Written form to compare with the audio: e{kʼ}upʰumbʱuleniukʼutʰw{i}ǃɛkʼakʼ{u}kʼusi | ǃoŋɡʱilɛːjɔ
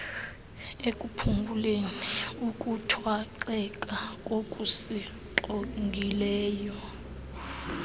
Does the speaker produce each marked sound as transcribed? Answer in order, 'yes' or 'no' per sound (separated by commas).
yes, no, no